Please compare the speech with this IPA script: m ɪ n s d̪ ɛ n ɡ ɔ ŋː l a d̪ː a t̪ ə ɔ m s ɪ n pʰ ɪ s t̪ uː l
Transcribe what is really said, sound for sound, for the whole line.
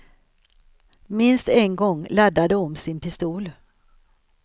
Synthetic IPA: m ɪ n s t̪ ɛ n ɡ ɔ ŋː l a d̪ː a d̪ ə ɔ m s ɪ n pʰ ɪ s t̪ uː l